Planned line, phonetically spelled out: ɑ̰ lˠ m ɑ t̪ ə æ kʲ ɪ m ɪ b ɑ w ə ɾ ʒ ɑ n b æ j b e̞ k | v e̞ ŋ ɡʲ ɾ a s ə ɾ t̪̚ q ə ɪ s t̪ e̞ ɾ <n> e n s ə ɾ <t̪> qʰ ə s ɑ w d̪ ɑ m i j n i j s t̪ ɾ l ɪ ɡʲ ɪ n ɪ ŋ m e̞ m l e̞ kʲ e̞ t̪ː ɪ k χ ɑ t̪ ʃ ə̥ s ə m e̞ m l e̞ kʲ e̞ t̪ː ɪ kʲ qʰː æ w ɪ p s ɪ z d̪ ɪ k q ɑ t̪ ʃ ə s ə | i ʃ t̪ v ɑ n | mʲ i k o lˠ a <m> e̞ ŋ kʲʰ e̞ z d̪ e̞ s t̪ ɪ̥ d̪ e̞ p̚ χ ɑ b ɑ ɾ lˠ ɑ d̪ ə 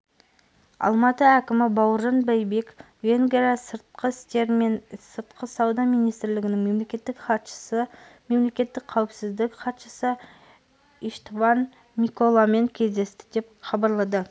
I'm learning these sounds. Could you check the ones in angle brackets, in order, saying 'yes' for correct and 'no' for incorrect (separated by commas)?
no, yes, yes